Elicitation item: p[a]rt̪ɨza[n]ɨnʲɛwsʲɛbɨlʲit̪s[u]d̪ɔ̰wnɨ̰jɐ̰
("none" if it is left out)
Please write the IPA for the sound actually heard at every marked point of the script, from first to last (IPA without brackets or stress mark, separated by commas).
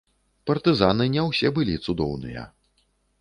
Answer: ɐ, n, u